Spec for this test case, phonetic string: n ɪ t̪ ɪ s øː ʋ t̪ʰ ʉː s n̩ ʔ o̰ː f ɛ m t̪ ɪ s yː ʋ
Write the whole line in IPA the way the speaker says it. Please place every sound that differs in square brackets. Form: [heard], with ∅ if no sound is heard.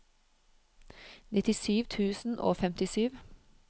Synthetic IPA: n ɪ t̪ ɪ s [yː] ʋ t̪ʰ ʉː s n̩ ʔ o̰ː f ɛ m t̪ ɪ s yː ʋ